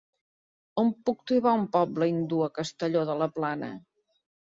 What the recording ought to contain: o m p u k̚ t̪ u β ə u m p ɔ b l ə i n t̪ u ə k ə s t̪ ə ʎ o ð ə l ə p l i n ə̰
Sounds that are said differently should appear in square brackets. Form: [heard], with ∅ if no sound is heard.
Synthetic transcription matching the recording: o m p u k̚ t̪ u β [a] u m p ɔ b l ə i n [d̪] u ə k ə s t̪ ə ʎ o ð ə l ə p l [a] n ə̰